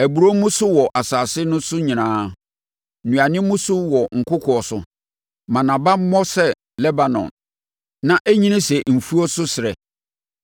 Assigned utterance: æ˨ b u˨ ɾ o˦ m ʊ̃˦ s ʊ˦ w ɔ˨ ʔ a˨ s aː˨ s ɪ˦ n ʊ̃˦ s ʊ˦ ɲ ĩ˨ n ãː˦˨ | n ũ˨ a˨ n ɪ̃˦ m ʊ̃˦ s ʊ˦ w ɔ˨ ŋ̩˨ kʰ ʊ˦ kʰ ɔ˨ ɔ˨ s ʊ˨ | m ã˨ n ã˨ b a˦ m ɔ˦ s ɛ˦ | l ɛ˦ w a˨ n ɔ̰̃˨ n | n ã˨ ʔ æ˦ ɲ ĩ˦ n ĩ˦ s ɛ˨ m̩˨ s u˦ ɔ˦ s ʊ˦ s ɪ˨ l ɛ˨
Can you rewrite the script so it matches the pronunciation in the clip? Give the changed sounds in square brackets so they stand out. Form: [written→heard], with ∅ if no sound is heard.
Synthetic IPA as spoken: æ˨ b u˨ ɾ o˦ m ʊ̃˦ s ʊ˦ w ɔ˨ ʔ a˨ s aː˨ s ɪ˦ n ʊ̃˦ s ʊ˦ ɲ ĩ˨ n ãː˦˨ | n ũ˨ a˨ n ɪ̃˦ m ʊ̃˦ s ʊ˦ w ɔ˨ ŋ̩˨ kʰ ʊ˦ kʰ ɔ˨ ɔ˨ s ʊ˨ | m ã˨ n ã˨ b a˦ m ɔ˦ s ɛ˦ | l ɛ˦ [w→b] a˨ n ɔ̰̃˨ n | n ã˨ ʔ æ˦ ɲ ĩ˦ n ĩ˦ s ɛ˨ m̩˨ [s→f] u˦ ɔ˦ s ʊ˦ s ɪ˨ [l→ɾ] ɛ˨